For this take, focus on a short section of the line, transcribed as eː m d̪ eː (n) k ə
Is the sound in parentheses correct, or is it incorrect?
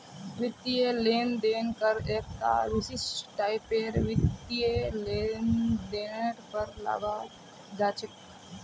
correct